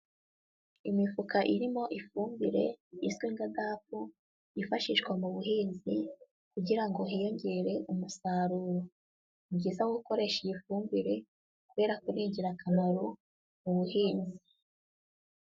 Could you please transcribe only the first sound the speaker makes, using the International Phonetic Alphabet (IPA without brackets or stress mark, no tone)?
i